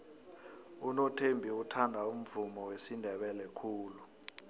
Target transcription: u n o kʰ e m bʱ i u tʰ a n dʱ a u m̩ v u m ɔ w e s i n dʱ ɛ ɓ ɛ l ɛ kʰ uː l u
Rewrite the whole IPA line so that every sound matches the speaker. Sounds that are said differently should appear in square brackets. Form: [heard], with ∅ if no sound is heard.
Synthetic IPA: u n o [tʰ] e m bʱ i u tʰ a n dʱ a u m̩ v u m ɔ w e s i n dʱ ɛ ɓ ɛ l ɛ kʰ uː l u